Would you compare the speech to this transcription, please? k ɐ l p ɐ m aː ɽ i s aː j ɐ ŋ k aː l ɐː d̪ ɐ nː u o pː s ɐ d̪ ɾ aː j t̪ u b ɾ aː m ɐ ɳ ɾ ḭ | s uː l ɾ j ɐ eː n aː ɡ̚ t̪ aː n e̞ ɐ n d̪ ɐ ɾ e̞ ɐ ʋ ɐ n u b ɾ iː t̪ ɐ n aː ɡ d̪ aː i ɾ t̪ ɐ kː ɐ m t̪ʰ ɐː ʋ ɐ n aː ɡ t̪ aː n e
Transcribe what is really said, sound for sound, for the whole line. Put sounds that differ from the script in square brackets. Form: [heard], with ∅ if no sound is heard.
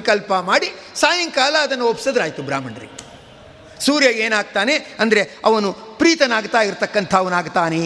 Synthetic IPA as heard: k ɐ l p ɐ m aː ɽ i s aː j ɐ ŋ k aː l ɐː d̪ ɐ nː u o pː s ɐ d̪ ɾ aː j t̪ u b ɾ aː m ɐ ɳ ɾ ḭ | s uː [∅] ɾ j ɐ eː n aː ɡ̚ t̪ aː n e̞ ɐ n d̪ ɐ ɾ e̞ ɐ ʋ ɐ n u [p] ɾ iː t̪ ɐ n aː ɡ [t̪] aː i ɾ t̪ ɐ kː ɐ [n] t̪ʰ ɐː ʋ ɐ n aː ɡ t̪ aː n e